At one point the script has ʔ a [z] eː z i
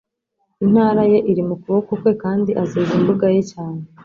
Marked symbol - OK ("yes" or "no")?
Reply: yes